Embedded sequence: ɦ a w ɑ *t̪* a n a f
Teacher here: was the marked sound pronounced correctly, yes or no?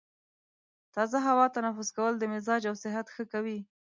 yes